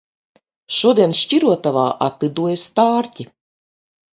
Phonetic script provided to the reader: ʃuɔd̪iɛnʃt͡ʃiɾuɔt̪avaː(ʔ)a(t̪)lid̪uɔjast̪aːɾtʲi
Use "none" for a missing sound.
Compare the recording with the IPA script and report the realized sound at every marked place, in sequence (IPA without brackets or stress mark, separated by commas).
ʔ, t̪